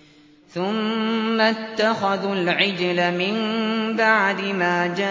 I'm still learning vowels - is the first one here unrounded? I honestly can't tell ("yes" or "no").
no